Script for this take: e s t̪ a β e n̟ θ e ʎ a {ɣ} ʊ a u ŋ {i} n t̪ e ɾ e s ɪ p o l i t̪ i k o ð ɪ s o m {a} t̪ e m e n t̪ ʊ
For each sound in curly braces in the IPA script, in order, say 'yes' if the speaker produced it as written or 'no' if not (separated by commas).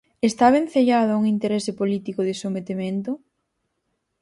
no, yes, no